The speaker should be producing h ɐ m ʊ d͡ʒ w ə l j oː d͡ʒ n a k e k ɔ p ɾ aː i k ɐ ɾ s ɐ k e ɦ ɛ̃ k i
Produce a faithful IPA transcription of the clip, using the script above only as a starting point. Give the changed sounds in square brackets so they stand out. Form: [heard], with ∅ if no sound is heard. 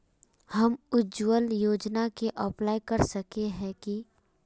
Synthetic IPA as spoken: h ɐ m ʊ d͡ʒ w ə l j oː d͡ʒ n a k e [ʔ] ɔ p [l] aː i k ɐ ɾ s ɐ k e ɦ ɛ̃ k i